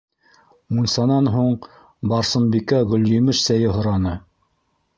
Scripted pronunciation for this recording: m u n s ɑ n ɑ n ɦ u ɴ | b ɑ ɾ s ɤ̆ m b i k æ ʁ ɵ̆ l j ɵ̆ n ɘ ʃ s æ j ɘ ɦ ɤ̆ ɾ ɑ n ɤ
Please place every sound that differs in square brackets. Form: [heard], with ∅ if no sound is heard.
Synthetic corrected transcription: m u n s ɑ n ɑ n ɦ u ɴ | b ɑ ɾ s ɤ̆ m b i k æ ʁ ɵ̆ l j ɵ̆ [m] ɘ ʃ s æ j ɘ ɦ [ŏ] ɾ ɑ n ɤ